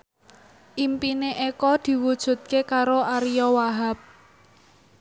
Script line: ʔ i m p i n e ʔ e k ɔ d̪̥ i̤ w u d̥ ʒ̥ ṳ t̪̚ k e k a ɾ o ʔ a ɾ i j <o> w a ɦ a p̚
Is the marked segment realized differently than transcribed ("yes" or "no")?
yes